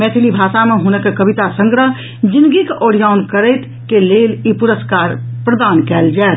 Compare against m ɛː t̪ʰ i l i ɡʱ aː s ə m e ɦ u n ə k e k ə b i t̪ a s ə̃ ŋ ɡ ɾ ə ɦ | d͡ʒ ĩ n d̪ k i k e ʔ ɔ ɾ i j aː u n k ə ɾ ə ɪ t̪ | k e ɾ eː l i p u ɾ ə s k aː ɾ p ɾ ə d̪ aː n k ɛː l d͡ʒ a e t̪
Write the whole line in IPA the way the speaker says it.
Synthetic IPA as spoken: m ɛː t̪ʰ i l i bʱ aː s a m e ɦ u n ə k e k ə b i t̪ a s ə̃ ŋ ɡ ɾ ə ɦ | d͡ʒ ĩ n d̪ ɡ i k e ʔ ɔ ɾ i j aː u n k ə ɾ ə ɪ t̪ | k e l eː l i p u ɾ ə s k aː ɾ p ɾ ə d̪ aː n k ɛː l d͡ʒ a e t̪